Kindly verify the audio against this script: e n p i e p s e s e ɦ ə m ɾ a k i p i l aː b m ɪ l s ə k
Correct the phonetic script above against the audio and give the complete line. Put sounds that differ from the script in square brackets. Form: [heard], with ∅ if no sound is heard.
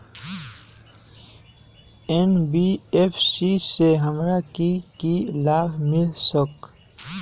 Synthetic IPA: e n [b] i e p s [i] s e ɦ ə m ɾ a k i [k] i l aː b m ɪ l s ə k